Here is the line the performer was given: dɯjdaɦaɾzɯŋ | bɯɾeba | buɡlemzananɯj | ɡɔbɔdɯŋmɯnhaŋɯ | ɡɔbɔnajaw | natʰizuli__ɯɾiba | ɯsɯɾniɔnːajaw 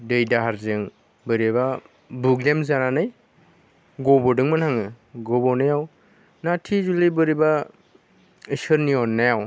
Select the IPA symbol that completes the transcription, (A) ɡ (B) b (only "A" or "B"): B